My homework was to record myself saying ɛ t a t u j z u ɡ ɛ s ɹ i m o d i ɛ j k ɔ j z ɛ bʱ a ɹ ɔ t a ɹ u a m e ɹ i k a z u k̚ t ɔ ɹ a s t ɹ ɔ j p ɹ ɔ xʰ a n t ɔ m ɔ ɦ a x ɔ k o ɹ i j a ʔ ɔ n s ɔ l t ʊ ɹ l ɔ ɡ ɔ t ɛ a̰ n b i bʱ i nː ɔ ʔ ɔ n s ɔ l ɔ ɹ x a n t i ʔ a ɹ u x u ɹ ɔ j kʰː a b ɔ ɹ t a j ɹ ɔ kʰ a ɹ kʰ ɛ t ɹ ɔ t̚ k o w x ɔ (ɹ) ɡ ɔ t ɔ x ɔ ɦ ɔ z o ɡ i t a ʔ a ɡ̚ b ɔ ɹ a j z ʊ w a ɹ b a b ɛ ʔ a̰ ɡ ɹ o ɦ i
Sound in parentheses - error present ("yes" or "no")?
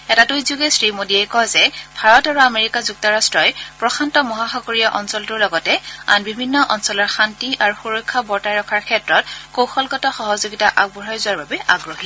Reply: yes